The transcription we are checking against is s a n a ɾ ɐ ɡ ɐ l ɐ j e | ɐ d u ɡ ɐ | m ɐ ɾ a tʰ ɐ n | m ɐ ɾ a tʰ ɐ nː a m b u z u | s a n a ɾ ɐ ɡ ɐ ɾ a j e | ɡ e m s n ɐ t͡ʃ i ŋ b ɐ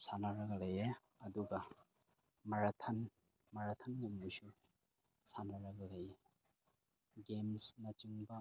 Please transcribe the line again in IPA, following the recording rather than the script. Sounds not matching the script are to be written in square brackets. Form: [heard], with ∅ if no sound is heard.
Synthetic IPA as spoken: s a n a ɾ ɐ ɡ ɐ l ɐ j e | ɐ d u ɡ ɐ | m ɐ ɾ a tʰ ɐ n | m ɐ ɾ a tʰ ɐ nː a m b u [s] u | s a n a ɾ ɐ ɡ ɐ [l] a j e | ɡ e m s n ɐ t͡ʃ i ŋ b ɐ